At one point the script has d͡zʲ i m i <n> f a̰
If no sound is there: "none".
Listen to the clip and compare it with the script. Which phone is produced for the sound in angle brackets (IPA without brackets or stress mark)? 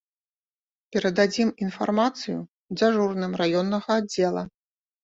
n